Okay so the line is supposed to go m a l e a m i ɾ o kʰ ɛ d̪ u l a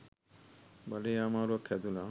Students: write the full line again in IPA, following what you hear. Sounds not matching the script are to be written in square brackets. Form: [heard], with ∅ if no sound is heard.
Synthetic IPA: [b] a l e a m [a] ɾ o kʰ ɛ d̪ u l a